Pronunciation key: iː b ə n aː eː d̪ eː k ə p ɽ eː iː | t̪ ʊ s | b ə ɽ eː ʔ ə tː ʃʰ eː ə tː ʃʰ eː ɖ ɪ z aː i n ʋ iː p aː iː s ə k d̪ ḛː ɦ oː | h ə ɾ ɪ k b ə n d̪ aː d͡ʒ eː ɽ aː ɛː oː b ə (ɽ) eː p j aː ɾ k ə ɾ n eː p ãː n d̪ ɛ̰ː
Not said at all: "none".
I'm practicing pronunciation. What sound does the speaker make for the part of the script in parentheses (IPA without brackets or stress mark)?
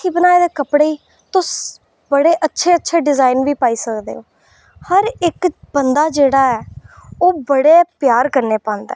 ɽ